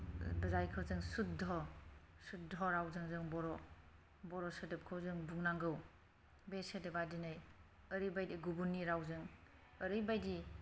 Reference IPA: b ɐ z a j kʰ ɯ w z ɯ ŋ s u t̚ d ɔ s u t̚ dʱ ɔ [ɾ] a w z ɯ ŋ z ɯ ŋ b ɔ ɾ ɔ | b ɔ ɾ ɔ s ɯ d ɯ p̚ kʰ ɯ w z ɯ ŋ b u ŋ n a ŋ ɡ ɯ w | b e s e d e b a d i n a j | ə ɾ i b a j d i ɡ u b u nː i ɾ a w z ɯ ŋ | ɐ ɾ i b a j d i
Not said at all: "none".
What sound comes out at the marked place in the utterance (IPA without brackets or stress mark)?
ɾ